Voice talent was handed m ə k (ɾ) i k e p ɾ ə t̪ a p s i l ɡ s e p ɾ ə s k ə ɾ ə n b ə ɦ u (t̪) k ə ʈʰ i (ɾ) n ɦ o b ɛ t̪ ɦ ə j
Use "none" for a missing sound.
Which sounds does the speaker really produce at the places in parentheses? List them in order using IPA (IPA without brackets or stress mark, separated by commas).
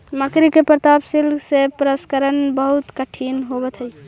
ɾ, t̪, none